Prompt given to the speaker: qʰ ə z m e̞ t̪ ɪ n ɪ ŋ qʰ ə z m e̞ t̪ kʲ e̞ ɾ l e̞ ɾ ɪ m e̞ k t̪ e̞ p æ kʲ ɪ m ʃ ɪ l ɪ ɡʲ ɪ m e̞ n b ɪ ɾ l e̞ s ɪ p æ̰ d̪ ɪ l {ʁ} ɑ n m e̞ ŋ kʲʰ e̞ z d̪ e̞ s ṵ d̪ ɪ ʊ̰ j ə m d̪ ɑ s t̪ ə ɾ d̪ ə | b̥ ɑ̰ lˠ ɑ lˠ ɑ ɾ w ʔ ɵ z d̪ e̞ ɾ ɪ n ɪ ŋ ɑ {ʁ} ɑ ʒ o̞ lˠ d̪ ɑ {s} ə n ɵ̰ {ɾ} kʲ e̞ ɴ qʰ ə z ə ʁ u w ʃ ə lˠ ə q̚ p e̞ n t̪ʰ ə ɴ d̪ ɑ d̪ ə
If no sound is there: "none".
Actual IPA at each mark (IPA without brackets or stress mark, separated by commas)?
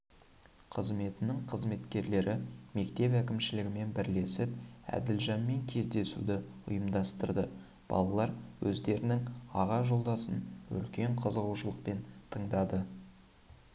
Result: ʒ, ʁ, s, l